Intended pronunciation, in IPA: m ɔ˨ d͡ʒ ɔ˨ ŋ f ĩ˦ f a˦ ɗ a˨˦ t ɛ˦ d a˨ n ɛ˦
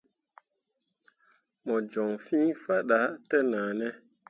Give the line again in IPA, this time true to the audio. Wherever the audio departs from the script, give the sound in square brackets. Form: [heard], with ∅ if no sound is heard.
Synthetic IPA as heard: m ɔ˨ d͡ʒ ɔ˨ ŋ f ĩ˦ f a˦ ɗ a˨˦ t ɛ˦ [n] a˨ n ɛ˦